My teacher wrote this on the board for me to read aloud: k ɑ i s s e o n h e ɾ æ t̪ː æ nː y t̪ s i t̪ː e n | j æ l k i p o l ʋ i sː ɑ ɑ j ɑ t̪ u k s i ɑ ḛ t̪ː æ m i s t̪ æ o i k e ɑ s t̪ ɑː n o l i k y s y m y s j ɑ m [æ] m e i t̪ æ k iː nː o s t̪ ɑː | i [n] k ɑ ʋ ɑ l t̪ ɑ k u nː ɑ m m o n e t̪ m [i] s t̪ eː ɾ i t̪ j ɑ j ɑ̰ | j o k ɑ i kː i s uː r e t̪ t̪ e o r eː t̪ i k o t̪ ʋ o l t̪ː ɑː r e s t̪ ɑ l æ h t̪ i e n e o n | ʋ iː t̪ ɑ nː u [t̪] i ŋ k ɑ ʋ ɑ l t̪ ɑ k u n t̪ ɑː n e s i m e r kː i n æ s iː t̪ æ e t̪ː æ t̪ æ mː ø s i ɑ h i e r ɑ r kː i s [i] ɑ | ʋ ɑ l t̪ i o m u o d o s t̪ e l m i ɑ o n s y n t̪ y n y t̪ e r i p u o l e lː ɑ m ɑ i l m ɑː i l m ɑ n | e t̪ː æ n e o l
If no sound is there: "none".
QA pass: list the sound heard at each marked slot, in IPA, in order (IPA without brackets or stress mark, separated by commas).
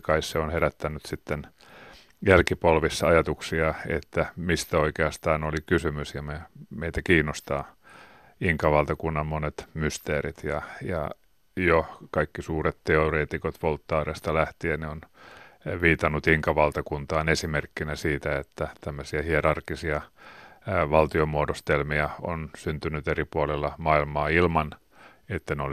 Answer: e, ŋ, y, t̪, i